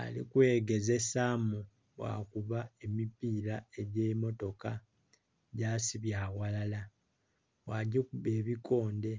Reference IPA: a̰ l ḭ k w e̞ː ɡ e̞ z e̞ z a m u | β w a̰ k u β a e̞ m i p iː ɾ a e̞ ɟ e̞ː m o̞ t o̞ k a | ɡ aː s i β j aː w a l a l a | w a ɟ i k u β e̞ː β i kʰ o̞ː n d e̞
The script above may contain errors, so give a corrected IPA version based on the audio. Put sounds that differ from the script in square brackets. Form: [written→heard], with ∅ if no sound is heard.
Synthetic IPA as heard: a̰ l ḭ k w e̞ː ɡ e̞ z e̞ [z→s] a m u | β w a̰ k u β a e̞ m i p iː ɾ a e̞ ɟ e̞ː m o̞ t o̞ k a | [ɡ→ɟ] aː s i β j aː w a l a l a | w a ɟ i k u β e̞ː β i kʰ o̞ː n d e̞

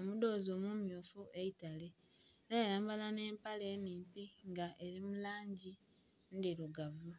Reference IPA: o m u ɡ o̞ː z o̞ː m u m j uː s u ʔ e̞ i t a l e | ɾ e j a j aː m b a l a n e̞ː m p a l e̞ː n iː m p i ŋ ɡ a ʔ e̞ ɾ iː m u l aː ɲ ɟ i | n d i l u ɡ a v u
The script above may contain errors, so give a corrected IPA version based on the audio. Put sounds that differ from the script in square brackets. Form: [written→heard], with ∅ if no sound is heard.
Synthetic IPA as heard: o m u [ɡ→d] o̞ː z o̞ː m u m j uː [s→f] u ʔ e̞ i t a l e | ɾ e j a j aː m b a l a n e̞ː m p a l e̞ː n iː m p i ŋ ɡ a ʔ e̞ ɾ [iː→i] m u l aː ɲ ɟ i | n d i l u ɡ a v u

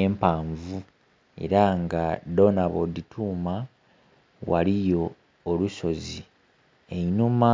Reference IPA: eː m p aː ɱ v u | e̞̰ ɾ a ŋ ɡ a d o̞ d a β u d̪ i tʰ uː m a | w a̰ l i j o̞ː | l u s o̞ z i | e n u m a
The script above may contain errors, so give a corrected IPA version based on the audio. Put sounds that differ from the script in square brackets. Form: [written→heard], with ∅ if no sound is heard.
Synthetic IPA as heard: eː m p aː ɱ v u | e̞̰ ɾ a ŋ ɡ a d o̞ [d→n] a β [u→o] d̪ i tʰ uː m a | w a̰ l i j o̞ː | l u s o̞ z i | e n u m a

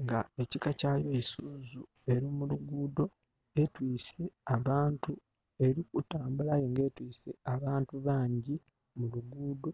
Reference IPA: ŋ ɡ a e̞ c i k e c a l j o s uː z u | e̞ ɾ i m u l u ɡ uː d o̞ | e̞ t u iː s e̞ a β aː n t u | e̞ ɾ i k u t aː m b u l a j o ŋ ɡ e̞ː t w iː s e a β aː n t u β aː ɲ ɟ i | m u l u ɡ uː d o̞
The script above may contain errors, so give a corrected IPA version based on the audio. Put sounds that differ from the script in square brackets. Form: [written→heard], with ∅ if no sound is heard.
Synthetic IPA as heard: ŋ ɡ a e̞ c i k [e→a] c a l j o s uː z u | e̞ ɾ i m u l u ɡ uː d o̞ | e̞ t [u→w] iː s e̞ a β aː n t u | e̞ ɾ i k u t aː m b u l a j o ŋ ɡ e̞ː t w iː s e a β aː n t u β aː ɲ ɟ i | m u l u ɡ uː d o̞

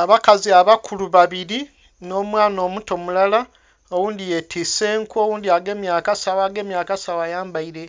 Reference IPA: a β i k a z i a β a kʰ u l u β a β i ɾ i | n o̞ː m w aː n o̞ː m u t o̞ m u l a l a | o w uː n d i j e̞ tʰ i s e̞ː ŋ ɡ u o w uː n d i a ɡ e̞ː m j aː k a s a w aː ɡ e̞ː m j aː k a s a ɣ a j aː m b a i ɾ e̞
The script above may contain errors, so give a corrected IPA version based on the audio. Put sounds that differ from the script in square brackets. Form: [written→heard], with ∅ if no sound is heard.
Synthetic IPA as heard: a β [i→a] k a z i a β a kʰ u l u β a β i ɾ i | n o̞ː m w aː n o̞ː m u t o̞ m u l a l a | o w uː n d i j e̞ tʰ i s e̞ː ŋ [ɡ→k] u o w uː n d i a ɡ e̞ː m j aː k a s a w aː ɡ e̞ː m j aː k a s a [ɣ→w] a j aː m b a i ɾ e̞

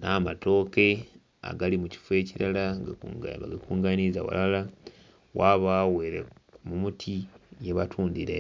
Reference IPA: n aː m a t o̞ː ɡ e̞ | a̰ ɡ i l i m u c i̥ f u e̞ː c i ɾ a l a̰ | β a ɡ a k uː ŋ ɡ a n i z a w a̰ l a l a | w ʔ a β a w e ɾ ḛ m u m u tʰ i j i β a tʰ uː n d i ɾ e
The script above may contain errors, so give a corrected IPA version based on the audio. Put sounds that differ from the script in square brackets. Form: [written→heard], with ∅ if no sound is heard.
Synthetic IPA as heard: n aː m a t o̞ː [ɡ→k] e̞ | a̰ ɡ [i→a] l i m u c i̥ f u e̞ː c i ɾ a l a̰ | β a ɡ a k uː ŋ ɡ a n i z a w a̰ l a l a | w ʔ a β a w e ɾ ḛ m u m u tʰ i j [i→e] β a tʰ uː n d i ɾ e

